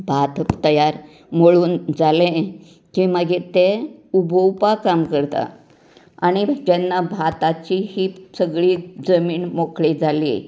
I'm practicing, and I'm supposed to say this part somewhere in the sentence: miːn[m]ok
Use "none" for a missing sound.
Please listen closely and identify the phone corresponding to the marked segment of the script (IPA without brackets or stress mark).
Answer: m